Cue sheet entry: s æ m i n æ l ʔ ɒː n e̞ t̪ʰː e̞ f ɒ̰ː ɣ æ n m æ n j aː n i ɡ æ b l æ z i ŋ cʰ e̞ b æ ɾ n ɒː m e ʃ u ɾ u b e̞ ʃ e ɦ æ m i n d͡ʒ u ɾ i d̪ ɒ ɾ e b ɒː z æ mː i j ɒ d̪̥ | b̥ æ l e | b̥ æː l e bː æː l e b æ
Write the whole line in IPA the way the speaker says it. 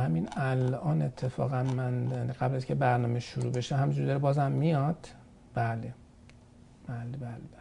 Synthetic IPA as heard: h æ m i n æ l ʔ ɒː n e̞ t̪ʰː e̞ f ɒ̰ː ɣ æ n m æ n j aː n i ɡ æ b l æ z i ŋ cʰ e̞ b æ ɾ n ɒː m e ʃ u ɾ u b e̞ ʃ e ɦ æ m i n d͡ʒ u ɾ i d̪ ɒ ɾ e b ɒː z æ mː i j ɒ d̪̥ | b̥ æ l e | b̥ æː l e b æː l e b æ